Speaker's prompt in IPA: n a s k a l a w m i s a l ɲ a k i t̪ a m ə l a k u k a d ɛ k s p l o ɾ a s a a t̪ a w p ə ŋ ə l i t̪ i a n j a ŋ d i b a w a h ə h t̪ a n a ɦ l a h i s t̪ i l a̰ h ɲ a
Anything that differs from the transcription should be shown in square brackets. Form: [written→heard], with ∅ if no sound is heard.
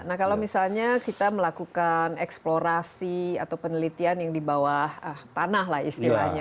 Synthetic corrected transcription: n a [s→h] k a l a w m i s a l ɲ a k i t̪ a m ə l a k u k a [d→n] ɛ k s p l o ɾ a s [a→i] a t̪ a w p ə [ŋ→n] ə l i t̪ i a n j a ŋ d i b a w a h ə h t̪ a n a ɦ l a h i s t̪ i l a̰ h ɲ a